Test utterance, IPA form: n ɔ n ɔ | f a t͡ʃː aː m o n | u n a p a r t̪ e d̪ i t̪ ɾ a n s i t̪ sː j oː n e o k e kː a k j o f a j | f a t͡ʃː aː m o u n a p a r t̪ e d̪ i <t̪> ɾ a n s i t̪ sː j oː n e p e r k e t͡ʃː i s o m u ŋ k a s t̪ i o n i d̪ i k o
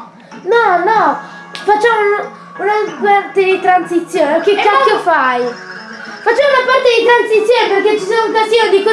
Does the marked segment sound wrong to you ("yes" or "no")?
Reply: no